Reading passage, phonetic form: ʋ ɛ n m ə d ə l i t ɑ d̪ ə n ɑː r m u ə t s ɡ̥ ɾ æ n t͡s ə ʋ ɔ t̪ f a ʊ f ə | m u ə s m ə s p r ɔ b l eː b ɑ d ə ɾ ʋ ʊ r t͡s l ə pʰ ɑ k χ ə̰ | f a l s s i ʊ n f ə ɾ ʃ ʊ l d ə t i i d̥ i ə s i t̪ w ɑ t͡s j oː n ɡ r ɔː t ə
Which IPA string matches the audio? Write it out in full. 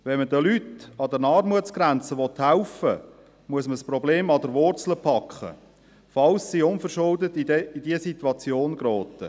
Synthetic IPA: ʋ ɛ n m ə d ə l y t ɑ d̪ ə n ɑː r m u ə t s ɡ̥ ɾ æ n t͡s ə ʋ ɔ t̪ h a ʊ f ə | m u ə s m ə s p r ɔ b l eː m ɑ d ə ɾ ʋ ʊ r t͡s l ə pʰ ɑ k χ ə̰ | f ɑ l s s i ʊ n f ə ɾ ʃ ʊ l d ə t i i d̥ i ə s i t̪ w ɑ t͡s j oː n ɡ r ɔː t ə